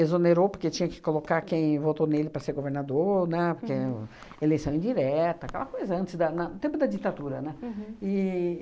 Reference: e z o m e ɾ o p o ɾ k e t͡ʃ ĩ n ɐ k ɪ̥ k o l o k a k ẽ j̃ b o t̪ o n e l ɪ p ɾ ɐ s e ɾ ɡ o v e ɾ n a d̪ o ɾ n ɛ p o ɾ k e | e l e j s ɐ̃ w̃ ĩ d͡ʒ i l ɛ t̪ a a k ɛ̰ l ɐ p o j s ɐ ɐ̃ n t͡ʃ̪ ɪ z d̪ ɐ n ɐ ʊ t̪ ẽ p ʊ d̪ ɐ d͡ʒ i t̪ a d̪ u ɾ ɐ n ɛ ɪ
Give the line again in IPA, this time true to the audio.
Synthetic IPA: e z o n e ɾ o p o ɾ k e t͡ʃ ĩ ɲ ɐ k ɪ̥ k o l o k a k ẽ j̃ v o t̪ o n e l ɪ p ɾ ɐ s e ɾ ɡ o v e ɾ n a d̪ o ɾ n ɛ p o ɾ k e | e l e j s ɐ̃ w̃ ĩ d͡ʒ i ɾ ɛ t̪ ɐ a k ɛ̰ l ɐ k o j z ɐ ɐ̃ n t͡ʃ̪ ɪ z d̪ ɐ n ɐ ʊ t̪ ẽ p ʊ d̪ ɐ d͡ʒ i t̪ a d̪ u ɾ ɐ n ɛ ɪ